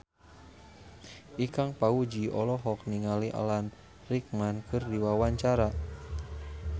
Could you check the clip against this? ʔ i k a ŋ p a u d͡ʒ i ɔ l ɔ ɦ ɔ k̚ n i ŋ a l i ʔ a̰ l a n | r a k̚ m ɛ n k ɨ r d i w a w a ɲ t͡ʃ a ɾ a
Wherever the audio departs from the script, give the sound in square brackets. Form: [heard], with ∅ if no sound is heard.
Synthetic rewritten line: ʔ i k a ŋ p a u d͡ʒ i ɔ l ɔ ɦ ɔ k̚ n i ŋ a l i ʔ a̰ l a n | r [i] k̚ m [a] n k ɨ r d i w a w a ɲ t͡ʃ a ɾ a